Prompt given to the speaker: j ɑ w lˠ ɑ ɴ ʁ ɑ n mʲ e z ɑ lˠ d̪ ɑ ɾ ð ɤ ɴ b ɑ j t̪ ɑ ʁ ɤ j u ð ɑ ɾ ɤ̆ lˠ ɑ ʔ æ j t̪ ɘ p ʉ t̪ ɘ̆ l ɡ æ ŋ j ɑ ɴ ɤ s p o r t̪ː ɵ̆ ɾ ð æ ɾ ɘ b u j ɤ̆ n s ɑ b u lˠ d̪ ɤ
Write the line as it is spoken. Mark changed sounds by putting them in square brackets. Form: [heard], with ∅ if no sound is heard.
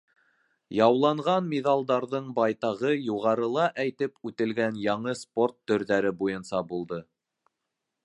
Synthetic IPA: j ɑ w lˠ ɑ ɴ ʁ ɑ n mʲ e [ð] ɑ lˠ d̪ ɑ ɾ ð ɤ ɴ b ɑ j t̪ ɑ ʁ ɤ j u [ʁ] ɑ ɾ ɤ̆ lˠ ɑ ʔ æ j t̪ ɘ p ʉ t̪ ɘ̆ l ɡ æ [n] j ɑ ɴ ɤ s p o r t̪ː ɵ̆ ɾ ð æ ɾ ɘ b u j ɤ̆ n s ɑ b u lˠ d̪ ɤ